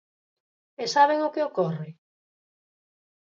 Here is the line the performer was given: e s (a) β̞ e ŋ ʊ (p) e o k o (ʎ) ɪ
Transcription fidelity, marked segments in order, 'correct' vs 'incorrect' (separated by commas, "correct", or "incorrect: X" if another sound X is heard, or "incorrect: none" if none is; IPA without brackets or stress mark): correct, incorrect: k, incorrect: r